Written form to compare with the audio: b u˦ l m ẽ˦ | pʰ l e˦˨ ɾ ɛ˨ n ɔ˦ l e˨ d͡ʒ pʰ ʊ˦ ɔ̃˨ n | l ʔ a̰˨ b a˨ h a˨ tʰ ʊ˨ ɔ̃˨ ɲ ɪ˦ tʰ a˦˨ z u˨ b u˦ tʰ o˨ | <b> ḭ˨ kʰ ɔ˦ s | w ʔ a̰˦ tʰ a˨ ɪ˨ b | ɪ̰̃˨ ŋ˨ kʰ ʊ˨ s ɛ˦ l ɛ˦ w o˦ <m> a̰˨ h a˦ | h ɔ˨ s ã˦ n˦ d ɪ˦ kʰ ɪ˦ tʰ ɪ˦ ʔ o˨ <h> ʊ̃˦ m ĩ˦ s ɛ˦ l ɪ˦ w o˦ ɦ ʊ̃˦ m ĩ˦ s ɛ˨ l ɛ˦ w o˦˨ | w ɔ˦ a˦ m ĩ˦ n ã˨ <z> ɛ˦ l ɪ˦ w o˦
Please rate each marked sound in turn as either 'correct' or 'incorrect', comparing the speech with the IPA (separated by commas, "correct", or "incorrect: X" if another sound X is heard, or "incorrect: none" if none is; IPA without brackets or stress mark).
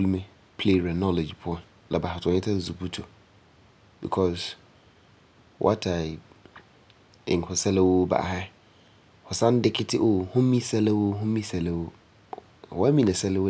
correct, incorrect: b, correct, incorrect: s